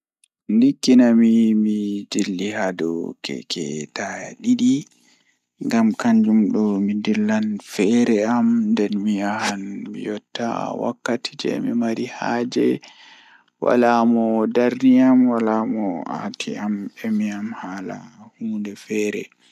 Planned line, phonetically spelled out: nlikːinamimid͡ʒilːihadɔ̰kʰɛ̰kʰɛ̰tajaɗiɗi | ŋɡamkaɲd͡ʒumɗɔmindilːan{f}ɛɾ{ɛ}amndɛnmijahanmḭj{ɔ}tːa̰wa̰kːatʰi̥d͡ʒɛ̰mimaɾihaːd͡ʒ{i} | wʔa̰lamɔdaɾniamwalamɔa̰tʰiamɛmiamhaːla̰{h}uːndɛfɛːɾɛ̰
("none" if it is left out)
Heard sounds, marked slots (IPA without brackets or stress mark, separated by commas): f, ɛ, ɔ, ɛ, h